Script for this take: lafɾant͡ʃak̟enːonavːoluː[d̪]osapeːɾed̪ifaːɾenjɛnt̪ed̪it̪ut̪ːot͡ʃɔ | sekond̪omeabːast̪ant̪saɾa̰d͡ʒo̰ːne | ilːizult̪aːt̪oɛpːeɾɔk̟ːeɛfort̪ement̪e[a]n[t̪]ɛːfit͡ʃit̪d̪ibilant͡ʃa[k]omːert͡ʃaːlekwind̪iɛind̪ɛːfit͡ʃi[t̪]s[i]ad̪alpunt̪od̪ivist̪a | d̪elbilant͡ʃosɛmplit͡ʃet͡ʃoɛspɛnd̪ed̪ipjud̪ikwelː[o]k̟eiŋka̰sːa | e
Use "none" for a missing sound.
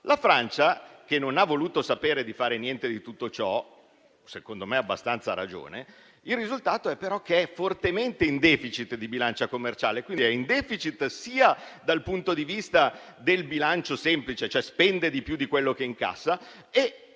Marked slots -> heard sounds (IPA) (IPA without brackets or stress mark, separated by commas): t̪, i, d̪, k, t̪, iː, o